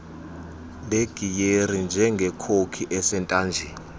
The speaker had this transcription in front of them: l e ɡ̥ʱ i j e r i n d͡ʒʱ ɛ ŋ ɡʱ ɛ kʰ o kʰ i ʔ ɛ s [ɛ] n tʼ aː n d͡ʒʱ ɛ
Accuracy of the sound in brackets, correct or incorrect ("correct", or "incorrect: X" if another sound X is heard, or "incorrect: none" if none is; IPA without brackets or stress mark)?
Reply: correct